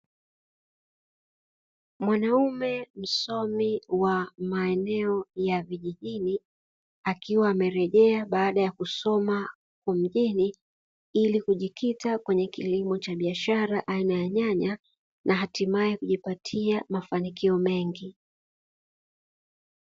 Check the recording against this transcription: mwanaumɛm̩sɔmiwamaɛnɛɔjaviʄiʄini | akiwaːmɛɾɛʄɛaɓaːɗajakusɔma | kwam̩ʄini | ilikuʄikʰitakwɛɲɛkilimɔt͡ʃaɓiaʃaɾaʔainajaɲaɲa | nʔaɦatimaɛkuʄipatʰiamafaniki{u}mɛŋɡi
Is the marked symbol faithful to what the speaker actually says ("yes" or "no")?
no